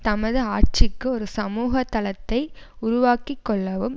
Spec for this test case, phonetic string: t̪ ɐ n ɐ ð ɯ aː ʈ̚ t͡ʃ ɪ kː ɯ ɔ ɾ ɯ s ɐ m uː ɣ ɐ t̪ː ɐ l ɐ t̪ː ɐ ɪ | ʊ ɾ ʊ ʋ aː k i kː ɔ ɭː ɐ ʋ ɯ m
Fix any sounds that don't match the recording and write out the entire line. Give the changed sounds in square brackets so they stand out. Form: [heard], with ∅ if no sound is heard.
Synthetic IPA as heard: t̪ ɐ [m] ɐ ð ɯ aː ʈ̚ t͡ʃ ɪ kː ɯ ɔ ɾ ɯ s ɐ m uː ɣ ɐ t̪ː ɐ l ɐ t̪ː ɐ ɪ | ʊ ɾ ʊ ʋ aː k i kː ɔ ɭː ɐ ʋ ɯ m